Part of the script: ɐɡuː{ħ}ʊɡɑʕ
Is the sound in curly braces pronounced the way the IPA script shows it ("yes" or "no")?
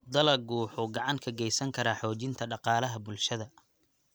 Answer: yes